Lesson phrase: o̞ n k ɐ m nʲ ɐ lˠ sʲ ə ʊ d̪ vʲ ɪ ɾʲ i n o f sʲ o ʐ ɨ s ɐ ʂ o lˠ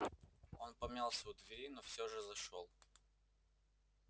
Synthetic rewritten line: o̞ n p ɐ m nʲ a lˠ sʲ ə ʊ d̪ vʲ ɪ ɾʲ i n o f sʲ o ʐ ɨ z ɐ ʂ o lˠ